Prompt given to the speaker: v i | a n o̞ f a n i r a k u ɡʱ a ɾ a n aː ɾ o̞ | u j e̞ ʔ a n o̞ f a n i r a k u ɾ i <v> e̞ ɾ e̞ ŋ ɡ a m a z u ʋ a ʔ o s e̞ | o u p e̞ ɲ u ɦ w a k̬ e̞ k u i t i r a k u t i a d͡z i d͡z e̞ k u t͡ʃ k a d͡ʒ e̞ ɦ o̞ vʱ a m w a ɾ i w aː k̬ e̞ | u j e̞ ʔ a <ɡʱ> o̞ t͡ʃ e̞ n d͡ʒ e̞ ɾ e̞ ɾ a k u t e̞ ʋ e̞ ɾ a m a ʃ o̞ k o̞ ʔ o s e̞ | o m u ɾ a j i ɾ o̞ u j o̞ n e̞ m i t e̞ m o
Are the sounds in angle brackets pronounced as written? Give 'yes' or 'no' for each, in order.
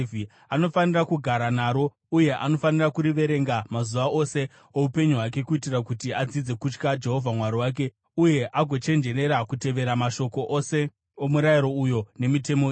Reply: no, yes

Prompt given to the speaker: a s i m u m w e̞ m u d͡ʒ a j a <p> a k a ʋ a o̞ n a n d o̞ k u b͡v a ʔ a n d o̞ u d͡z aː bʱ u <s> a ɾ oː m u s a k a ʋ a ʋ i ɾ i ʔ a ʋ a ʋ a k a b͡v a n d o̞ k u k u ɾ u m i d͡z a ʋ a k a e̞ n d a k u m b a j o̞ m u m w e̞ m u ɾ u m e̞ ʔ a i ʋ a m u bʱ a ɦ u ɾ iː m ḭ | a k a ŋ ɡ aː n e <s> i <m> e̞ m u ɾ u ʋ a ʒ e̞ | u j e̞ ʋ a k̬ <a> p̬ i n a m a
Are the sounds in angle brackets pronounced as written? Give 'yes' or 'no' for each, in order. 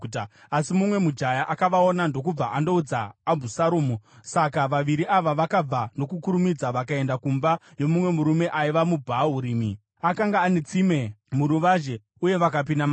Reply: no, yes, no, yes, yes

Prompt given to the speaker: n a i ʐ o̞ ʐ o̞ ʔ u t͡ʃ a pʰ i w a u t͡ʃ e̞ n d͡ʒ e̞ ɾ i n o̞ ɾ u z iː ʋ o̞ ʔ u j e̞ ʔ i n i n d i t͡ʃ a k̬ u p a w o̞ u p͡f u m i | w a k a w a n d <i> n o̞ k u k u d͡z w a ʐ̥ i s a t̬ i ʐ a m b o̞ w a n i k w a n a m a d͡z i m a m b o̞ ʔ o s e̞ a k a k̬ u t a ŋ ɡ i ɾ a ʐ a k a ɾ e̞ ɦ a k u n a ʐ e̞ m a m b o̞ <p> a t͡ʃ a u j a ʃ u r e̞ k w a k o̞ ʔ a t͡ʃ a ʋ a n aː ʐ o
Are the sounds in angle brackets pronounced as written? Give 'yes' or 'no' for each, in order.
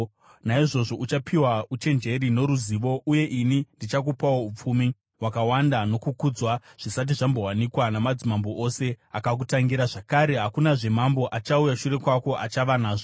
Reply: no, no

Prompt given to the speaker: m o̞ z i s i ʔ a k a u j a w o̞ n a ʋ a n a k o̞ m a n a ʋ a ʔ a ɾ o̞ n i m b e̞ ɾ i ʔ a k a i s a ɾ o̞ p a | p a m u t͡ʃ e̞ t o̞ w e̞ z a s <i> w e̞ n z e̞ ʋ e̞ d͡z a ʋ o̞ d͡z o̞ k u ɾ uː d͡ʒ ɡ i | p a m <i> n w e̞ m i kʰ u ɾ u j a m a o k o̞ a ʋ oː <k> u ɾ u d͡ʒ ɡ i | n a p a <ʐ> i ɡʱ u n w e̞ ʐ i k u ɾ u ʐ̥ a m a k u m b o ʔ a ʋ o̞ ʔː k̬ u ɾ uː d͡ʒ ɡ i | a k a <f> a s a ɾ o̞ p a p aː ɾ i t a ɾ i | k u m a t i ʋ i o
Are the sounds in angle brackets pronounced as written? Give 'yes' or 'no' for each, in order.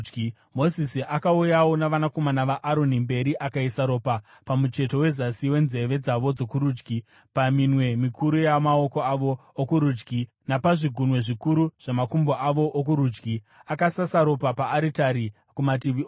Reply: yes, yes, yes, yes, no

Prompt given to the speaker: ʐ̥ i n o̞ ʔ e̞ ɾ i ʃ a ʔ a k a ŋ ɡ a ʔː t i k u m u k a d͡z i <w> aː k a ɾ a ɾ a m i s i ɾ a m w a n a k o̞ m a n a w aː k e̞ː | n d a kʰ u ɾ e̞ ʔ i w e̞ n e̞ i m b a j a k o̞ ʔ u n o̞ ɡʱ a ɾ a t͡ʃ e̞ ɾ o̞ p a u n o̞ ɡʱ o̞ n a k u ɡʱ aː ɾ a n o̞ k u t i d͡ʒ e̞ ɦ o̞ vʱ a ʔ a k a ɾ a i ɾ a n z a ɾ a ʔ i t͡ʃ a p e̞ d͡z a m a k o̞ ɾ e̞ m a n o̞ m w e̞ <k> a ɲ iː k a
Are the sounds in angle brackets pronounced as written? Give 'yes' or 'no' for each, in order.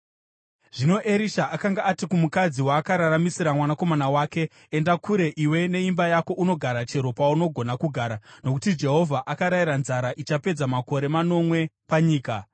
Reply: yes, no

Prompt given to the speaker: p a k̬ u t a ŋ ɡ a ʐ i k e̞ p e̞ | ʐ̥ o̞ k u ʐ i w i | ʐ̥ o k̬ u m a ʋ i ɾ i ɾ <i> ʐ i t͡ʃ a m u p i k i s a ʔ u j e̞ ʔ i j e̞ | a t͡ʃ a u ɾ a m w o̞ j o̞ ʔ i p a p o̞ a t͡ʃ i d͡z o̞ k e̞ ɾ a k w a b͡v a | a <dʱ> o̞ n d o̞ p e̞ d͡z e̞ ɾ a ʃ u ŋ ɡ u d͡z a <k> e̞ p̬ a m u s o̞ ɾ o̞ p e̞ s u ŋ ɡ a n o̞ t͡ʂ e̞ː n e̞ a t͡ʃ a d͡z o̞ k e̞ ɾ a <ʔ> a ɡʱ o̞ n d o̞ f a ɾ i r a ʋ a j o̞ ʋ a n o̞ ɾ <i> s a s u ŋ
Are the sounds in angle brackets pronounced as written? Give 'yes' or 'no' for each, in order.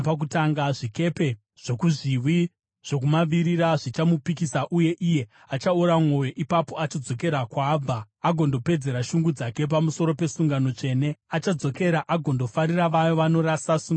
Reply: no, no, yes, yes, no

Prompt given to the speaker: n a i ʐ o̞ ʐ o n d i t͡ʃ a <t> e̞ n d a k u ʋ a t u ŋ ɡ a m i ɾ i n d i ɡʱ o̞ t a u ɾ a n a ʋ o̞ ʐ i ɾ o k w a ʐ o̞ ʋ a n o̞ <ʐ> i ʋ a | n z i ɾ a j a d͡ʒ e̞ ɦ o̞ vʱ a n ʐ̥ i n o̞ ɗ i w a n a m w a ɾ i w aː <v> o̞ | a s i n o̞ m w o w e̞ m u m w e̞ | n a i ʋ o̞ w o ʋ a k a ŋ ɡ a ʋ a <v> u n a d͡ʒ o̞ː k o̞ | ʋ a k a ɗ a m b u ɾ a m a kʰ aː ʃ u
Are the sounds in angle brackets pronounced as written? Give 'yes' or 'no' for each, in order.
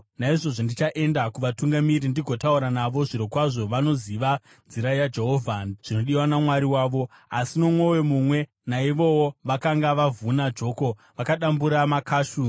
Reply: no, no, no, yes

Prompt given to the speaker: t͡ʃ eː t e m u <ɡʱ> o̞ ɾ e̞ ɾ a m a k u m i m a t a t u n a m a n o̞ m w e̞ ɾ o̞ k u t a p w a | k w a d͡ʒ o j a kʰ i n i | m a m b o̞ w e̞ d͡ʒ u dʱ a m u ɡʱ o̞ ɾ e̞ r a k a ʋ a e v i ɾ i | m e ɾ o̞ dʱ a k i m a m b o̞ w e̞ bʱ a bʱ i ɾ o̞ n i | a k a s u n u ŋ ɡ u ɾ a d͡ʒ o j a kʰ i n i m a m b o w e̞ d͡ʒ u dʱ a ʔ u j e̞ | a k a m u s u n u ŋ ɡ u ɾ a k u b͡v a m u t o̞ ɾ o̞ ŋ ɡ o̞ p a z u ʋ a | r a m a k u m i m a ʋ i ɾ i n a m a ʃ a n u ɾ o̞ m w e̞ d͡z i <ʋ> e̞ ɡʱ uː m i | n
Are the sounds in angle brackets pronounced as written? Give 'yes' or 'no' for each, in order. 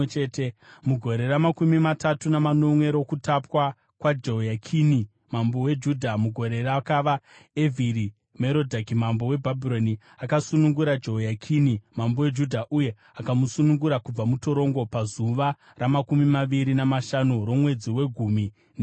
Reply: yes, no

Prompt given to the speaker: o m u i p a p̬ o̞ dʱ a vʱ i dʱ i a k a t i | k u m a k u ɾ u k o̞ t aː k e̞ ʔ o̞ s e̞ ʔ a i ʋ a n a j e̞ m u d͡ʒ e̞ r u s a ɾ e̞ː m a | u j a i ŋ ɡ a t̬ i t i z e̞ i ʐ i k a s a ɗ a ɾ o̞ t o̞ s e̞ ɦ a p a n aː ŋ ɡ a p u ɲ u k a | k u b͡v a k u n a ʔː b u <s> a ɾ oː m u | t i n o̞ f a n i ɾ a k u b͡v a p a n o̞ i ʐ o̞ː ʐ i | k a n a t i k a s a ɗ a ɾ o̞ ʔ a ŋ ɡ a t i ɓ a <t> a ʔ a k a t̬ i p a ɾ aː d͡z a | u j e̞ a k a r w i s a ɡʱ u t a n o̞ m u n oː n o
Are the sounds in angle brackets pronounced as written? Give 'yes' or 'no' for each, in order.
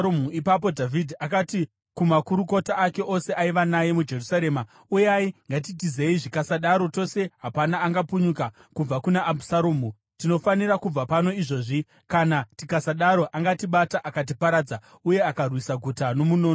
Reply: yes, yes

